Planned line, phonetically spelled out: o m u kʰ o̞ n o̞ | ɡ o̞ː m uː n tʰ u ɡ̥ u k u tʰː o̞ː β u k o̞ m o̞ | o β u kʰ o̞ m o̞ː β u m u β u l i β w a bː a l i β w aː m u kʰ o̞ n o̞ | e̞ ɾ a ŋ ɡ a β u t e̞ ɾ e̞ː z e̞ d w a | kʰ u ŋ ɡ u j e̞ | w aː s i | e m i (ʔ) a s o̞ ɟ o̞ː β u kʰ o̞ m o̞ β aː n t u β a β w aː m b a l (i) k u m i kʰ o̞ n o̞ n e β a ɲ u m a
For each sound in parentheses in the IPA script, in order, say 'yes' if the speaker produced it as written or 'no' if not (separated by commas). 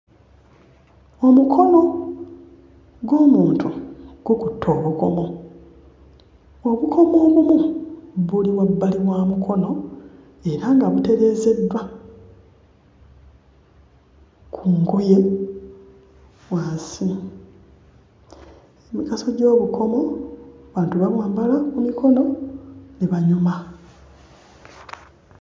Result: no, no